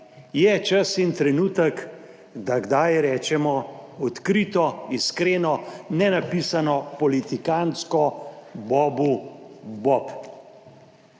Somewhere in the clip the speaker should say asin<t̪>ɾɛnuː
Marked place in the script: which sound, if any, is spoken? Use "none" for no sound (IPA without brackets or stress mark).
t̪